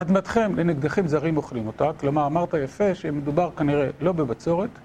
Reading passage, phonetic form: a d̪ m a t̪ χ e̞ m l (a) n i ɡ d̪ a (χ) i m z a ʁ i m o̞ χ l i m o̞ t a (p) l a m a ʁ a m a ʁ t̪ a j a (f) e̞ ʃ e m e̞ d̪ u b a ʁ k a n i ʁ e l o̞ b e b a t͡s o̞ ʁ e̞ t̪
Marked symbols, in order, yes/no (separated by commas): no, yes, no, yes